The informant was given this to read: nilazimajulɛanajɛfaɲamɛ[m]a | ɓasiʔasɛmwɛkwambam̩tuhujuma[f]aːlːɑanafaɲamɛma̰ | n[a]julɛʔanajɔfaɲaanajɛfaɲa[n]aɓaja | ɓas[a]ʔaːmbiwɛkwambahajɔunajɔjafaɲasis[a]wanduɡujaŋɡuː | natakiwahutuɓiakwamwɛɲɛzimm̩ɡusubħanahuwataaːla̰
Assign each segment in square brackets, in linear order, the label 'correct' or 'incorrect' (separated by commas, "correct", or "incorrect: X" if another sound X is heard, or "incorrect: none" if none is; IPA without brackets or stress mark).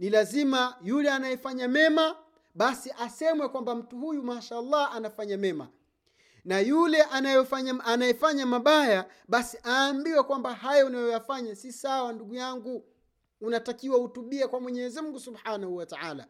correct, incorrect: ʃ, correct, incorrect: m, incorrect: i, correct